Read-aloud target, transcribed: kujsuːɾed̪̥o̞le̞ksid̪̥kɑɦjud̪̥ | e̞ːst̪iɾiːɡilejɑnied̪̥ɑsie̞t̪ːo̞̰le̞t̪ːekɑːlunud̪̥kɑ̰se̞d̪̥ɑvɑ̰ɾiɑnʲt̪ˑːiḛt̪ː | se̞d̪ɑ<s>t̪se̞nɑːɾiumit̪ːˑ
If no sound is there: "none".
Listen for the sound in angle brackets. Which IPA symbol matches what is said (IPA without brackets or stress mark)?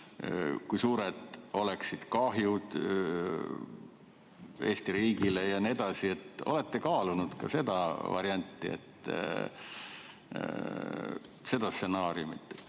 s